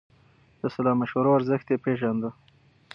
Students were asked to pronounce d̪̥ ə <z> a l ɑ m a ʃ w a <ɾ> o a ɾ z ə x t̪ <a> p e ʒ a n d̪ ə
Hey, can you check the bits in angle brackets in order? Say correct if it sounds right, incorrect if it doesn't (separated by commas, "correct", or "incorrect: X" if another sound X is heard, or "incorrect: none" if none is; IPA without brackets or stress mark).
incorrect: s, correct, incorrect: e